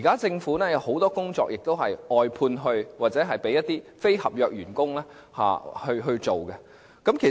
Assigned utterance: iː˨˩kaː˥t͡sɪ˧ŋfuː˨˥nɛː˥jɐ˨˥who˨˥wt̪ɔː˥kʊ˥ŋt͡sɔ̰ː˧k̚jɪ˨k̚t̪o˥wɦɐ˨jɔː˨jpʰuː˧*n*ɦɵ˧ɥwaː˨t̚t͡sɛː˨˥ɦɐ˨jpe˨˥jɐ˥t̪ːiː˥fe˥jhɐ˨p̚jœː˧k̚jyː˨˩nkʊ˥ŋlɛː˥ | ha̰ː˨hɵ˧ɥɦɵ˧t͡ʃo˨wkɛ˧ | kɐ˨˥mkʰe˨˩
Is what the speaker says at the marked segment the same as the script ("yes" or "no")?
yes